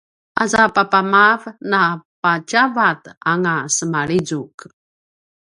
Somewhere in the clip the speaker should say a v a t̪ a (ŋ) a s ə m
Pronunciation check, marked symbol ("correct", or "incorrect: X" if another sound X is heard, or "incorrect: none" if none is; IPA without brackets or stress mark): correct